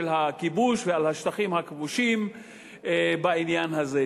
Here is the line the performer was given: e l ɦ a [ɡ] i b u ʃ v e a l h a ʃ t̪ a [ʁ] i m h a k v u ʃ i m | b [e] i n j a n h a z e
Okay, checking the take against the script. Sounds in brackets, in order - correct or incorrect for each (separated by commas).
incorrect, incorrect, incorrect